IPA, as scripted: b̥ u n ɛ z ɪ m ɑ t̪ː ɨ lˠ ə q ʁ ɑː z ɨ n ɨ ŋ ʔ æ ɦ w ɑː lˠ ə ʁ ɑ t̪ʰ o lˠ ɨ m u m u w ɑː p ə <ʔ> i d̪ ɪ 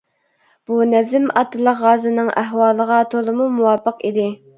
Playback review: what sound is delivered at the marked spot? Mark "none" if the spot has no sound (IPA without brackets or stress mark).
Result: q